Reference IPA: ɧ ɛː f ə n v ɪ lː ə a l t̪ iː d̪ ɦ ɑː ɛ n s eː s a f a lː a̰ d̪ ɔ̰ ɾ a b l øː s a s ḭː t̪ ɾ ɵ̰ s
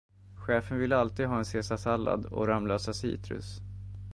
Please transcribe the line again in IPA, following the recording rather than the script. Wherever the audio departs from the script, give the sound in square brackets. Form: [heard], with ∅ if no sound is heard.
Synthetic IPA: ɧ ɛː f ə n v ɪ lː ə a l t̪ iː d̪ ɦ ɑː ɛ n s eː s a [s] a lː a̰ d̪ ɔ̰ ɾ a [m] l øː s a s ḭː t̪ ɾ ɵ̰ s